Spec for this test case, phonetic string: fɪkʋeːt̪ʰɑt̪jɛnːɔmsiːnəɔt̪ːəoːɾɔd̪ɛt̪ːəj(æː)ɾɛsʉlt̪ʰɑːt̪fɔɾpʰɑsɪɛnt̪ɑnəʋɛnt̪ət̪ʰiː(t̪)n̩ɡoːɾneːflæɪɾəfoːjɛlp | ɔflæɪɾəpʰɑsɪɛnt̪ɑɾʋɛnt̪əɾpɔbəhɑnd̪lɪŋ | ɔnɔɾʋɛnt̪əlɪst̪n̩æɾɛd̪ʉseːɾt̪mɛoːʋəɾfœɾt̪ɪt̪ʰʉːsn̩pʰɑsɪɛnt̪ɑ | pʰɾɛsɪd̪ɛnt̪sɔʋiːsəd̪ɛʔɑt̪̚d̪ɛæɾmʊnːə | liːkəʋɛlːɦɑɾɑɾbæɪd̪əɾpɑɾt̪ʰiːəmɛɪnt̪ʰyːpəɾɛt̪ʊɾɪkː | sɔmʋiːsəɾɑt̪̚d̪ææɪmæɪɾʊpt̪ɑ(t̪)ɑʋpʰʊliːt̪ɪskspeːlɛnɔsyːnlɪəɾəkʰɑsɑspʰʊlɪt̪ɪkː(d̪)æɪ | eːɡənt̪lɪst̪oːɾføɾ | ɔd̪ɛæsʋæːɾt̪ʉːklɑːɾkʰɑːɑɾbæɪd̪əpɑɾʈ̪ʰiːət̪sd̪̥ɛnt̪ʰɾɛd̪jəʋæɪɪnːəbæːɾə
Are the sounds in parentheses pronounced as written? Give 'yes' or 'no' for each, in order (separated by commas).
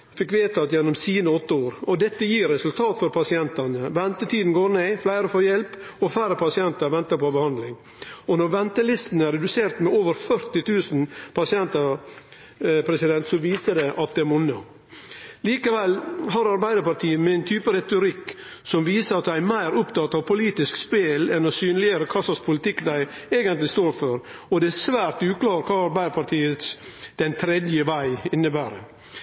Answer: no, no, yes, yes